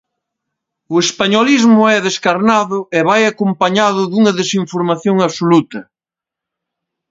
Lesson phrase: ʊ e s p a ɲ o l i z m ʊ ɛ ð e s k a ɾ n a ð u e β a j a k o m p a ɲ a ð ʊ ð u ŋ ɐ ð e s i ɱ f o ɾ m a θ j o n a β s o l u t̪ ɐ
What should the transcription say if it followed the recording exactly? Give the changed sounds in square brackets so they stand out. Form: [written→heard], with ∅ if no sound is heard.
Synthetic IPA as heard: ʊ e s p a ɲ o l i z m ʊ ɛ ð e s k a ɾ n a ð [u→ʊ] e β a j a k o m p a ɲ a ð ʊ ð u ŋ ɐ ð e s i ɱ f o ɾ m a θ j o [n→ŋ] a β s o l u t̪ ɐ